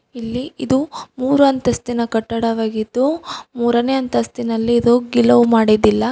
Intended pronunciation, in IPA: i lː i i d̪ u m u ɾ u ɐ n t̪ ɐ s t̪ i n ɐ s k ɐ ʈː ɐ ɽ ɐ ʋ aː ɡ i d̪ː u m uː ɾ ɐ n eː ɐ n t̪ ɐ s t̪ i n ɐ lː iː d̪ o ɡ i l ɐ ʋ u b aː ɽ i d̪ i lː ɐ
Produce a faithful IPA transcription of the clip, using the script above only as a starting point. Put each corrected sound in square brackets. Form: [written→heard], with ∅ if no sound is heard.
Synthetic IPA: i lː i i d̪ u m [u→uː] ɾ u ɐ n t̪ ɐ s t̪ i n ɐ [s→∅] k ɐ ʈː ɐ ɽ ɐ ʋ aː ɡ i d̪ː u m uː ɾ ɐ n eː ɐ n t̪ ɐ s t̪ i n ɐ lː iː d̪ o ɡ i l ɐ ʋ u [b→m] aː ɽ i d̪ i lː ɐ